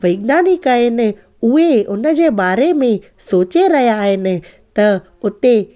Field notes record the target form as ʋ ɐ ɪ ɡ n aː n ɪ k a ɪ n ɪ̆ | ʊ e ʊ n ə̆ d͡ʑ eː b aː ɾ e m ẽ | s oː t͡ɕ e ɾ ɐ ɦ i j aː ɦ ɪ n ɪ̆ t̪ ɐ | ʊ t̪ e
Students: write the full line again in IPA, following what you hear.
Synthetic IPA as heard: ʋ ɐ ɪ ɡ n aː n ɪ k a ɪ n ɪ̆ | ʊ e ʊ n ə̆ d͡ʑ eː b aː ɾ e m ẽ | s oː t͡ɕ e ɾ ɐ ɦ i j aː ɦ ɪ n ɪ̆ t̪ ɐ | ʊ t̪ e